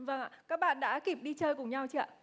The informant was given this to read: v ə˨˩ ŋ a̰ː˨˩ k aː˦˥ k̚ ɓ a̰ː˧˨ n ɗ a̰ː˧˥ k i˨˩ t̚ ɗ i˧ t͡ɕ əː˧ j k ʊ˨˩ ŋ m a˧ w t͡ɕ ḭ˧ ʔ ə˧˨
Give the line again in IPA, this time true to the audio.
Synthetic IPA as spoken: v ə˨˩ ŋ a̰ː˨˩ k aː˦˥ k̚ ɓ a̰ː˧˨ n ɗ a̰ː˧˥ k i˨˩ p̚ ɗ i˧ t͡ɕ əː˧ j k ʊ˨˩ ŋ ɲ a˧ w t͡ɕ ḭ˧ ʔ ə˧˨